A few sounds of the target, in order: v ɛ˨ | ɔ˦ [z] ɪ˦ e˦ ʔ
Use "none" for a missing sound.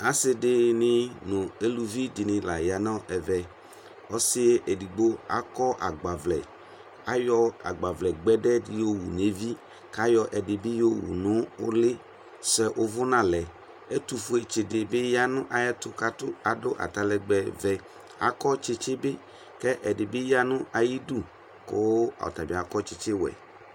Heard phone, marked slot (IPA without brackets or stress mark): s